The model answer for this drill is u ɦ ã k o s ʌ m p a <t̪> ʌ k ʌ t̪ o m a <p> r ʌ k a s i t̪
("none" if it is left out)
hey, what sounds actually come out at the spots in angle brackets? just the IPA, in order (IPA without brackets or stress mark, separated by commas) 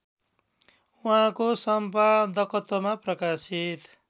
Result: d̪, p